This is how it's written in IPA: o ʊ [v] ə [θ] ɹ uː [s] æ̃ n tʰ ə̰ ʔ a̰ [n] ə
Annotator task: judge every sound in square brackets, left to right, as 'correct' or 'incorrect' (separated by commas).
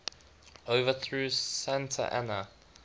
correct, correct, correct, correct